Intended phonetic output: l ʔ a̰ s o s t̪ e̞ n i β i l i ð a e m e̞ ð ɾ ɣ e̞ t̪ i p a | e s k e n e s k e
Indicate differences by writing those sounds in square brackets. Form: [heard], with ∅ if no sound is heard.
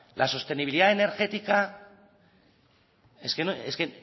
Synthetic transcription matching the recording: l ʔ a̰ s o s t̪ e̞ n i β i l i ð a e [n] e̞ [∅] ɾ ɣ e̞ t̪ i [k] a | e s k e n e s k e